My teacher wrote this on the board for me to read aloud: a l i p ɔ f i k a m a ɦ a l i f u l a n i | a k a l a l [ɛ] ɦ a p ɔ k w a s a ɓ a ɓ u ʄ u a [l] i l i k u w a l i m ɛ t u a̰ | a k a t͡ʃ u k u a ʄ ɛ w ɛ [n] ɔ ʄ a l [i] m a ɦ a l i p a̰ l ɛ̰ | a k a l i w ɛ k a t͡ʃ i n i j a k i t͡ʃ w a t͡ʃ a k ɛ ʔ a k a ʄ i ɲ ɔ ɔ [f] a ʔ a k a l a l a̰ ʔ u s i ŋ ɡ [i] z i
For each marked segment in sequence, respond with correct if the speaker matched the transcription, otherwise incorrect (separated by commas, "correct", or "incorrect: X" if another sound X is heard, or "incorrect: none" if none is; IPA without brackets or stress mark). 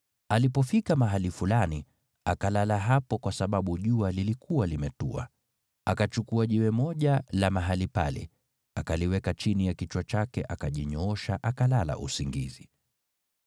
incorrect: a, correct, incorrect: m, incorrect: a, incorrect: ʃ, correct